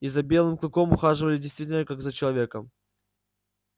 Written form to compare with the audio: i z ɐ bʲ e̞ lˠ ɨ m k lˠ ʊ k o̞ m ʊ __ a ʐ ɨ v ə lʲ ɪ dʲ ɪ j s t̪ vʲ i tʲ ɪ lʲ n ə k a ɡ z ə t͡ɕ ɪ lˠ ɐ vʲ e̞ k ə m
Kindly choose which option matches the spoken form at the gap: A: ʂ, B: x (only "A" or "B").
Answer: B